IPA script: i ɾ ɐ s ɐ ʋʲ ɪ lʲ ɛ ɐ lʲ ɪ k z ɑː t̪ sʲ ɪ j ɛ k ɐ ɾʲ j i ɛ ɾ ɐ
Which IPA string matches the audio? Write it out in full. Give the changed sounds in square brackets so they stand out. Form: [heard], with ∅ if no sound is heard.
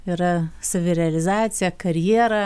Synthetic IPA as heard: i ɾ ɐ s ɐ ʋʲ ɪ [ɾʲ] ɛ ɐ lʲ ɪ [∅] z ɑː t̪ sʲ ɪ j ɛ k ɐ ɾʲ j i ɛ ɾ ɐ